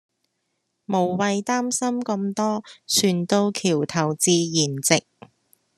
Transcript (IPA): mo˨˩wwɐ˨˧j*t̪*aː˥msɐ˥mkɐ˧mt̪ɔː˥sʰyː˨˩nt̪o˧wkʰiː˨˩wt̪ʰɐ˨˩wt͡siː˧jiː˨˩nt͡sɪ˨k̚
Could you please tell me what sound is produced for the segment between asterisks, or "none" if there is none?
t̪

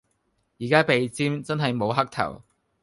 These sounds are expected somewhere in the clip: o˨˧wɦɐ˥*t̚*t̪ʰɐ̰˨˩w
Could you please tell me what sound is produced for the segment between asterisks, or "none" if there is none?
k̚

